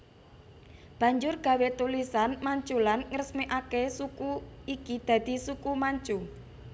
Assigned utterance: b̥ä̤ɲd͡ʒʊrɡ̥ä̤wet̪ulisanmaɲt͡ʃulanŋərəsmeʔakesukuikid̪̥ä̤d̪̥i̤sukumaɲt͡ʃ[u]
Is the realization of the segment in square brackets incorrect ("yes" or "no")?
no